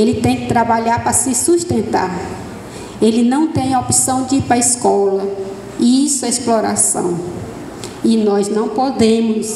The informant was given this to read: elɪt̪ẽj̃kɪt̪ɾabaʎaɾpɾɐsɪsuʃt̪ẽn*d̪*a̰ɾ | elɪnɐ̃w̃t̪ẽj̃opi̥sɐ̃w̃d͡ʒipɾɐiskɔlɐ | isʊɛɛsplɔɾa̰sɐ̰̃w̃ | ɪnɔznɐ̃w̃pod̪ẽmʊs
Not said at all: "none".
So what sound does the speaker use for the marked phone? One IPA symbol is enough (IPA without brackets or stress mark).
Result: t̪